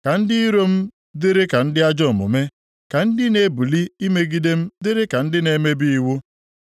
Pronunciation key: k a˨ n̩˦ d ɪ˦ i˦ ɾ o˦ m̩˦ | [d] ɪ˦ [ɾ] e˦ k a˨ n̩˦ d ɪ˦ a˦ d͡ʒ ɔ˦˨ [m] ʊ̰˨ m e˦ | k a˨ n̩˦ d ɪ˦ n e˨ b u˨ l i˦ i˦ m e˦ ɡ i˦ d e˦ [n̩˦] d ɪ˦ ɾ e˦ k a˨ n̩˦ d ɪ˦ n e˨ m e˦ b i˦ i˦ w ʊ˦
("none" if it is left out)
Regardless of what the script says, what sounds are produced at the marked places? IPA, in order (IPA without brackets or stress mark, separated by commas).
d, ɾ, m, m̩˦